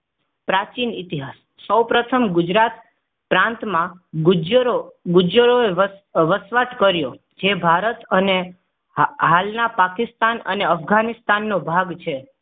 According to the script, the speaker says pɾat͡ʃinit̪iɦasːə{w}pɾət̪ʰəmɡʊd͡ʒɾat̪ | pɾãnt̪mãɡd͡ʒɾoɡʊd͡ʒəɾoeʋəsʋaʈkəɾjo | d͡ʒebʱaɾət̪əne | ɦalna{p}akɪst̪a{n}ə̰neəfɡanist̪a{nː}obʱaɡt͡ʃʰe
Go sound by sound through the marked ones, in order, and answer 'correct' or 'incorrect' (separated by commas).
correct, correct, correct, correct